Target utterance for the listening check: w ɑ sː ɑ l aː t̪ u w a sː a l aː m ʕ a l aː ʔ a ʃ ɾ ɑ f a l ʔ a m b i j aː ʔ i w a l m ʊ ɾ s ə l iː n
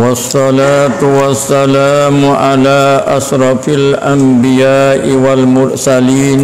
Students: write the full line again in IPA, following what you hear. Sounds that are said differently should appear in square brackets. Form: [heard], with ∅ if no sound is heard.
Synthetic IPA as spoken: w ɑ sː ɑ l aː t̪ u w a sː a l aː m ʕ a l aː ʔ a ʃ ɾ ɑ f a l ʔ a m b i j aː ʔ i w a l m ʊ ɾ s [a] l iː n